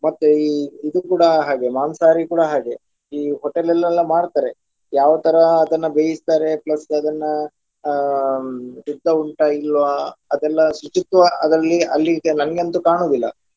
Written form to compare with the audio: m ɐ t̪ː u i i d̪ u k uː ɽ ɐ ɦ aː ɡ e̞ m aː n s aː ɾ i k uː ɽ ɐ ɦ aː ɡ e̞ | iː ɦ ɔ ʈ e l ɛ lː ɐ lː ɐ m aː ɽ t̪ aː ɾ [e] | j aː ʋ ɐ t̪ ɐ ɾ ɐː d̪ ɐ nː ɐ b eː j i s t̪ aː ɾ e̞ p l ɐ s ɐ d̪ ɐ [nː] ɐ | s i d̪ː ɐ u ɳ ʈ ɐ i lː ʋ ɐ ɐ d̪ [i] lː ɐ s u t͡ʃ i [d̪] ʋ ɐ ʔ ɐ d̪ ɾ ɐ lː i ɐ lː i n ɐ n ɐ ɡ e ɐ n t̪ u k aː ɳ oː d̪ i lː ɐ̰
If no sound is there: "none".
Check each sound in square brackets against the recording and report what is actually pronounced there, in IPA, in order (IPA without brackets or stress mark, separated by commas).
e, nː, ɛ, t̪